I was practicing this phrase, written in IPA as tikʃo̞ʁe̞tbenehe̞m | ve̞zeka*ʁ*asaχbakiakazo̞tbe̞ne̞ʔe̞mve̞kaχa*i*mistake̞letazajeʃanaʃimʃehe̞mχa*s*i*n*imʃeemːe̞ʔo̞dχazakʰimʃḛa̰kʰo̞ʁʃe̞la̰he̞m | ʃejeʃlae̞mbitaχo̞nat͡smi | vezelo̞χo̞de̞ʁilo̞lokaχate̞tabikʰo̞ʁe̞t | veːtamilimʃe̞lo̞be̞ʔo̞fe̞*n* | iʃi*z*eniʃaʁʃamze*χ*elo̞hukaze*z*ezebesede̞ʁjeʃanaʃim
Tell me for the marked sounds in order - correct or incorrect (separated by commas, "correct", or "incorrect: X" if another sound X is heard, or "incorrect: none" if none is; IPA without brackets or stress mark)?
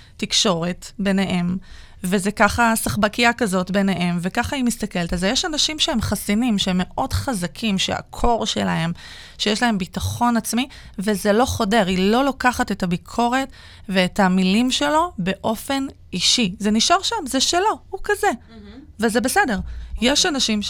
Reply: incorrect: χ, correct, correct, correct, correct, correct, incorrect: ʃ, incorrect: v